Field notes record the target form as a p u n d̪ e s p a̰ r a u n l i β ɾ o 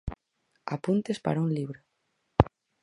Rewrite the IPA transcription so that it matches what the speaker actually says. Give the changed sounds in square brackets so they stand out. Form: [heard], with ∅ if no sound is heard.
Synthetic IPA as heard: a p u n [t̪] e s p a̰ [ɾ] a u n l i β ɾ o